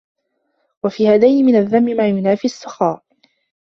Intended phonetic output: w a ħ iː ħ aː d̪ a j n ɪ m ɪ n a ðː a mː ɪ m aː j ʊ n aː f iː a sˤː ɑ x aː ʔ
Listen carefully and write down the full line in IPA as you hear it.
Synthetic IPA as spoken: w a f iː h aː d̪ a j n ɪ m ɪ n a ðː a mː ɪ m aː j ʊ n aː f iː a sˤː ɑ x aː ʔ